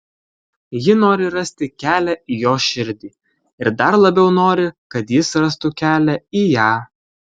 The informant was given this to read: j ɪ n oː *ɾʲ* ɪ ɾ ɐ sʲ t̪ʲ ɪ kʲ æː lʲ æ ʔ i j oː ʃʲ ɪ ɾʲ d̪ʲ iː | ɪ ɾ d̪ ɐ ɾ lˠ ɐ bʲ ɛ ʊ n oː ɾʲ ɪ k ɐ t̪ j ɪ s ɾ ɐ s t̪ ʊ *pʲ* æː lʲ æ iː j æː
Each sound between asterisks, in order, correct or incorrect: correct, incorrect

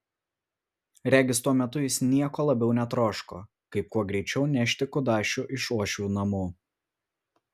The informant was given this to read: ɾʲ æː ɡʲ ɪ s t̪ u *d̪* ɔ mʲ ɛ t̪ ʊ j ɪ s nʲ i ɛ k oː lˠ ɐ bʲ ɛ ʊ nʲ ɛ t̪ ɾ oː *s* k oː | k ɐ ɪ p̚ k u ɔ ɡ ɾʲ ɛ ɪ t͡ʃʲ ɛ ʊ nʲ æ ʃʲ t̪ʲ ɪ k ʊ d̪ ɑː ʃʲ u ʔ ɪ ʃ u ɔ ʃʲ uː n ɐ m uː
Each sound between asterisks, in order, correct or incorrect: incorrect, incorrect

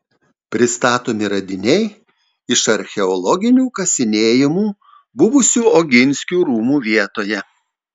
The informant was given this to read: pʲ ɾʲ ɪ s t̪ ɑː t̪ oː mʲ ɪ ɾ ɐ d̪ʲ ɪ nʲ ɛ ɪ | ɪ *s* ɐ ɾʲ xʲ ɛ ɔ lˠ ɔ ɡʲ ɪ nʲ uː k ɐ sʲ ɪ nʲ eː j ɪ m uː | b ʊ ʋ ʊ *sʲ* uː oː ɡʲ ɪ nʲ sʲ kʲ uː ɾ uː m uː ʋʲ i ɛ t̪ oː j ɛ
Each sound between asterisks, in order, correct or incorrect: incorrect, correct

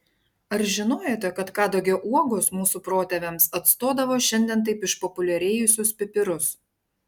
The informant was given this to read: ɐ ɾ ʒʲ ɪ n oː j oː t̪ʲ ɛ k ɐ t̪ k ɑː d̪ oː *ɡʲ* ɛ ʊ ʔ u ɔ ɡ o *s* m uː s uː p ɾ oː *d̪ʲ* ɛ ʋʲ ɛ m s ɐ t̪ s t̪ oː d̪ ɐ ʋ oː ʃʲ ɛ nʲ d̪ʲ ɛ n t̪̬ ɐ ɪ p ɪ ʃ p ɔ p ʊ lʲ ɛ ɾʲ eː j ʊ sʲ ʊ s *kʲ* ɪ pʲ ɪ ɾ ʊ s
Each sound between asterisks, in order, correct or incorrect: correct, correct, incorrect, incorrect

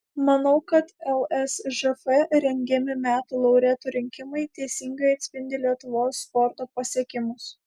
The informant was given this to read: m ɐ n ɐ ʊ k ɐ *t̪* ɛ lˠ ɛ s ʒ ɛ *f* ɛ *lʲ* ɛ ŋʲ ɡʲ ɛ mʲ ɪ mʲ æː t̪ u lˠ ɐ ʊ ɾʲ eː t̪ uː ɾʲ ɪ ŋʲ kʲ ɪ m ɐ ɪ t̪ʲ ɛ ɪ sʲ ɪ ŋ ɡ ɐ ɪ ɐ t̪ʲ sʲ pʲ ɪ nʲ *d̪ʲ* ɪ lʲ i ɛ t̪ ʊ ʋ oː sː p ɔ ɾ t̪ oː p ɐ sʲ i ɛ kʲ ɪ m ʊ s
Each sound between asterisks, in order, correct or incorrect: correct, correct, incorrect, correct

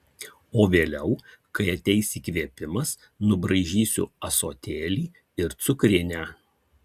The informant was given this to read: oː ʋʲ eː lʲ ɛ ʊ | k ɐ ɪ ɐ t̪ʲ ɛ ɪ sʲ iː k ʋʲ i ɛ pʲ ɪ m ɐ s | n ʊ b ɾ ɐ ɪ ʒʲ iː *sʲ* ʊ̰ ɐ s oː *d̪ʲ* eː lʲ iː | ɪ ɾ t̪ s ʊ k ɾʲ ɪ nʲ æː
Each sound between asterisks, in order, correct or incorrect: correct, incorrect

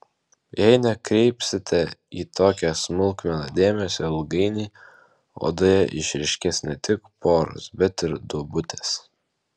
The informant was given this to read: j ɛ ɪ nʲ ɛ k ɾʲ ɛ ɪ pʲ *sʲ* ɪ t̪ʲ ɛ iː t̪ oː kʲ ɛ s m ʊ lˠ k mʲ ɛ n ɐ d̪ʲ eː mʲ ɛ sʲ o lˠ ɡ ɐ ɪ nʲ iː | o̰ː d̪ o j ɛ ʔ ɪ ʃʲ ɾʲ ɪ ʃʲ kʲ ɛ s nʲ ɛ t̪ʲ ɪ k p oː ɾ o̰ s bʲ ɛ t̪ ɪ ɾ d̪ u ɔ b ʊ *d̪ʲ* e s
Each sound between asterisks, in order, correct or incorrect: correct, incorrect

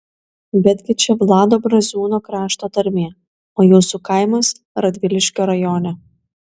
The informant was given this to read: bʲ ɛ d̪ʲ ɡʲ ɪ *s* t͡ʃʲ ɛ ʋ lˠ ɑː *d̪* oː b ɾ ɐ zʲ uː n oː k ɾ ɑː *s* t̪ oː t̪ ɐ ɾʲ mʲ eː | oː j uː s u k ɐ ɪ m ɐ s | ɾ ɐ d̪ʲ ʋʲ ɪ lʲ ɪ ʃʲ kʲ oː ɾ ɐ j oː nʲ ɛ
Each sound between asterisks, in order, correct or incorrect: incorrect, correct, incorrect

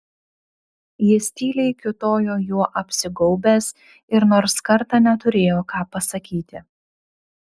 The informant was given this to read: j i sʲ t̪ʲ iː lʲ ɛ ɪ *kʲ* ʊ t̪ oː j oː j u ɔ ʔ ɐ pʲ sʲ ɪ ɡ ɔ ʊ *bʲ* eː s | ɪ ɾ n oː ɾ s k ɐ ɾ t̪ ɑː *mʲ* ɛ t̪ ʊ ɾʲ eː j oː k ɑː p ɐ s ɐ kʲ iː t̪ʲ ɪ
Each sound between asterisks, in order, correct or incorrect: correct, correct, incorrect

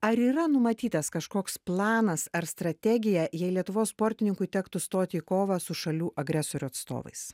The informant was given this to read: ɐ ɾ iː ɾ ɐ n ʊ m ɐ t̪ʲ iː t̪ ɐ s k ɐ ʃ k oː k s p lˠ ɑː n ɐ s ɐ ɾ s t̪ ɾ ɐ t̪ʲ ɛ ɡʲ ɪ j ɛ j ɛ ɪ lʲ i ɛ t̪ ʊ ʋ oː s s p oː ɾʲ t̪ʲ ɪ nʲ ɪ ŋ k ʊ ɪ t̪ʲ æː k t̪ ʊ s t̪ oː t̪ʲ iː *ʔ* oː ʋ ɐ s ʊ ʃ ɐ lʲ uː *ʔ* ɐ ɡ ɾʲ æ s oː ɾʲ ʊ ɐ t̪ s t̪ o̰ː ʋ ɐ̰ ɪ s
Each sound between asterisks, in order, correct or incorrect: incorrect, correct

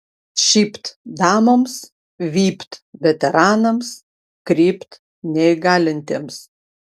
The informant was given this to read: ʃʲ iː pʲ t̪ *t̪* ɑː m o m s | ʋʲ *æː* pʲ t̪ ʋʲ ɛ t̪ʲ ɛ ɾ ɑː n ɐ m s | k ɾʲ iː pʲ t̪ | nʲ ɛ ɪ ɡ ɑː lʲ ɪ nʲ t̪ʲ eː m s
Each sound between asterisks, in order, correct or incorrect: incorrect, incorrect

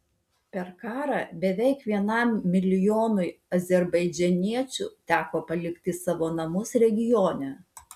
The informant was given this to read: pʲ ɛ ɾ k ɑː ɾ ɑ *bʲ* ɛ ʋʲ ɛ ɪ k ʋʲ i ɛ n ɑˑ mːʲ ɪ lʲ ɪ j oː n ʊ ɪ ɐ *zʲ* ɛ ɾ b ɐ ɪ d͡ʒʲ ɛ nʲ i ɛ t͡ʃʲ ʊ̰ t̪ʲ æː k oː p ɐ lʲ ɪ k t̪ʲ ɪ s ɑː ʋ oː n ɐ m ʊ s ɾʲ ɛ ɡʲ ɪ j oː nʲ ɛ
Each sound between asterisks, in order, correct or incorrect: correct, correct

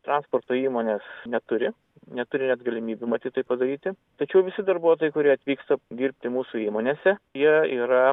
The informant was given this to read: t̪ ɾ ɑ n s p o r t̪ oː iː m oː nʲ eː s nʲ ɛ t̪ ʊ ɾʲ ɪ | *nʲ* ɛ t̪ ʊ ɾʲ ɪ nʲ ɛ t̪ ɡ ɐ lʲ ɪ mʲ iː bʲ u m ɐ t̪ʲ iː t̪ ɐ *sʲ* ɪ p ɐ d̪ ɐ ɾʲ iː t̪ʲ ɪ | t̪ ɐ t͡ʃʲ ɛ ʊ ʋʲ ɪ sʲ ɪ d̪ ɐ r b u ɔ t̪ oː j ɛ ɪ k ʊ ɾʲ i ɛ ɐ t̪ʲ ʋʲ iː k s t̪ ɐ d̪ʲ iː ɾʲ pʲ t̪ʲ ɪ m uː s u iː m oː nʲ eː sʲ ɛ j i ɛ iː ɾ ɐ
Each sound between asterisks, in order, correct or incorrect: correct, incorrect

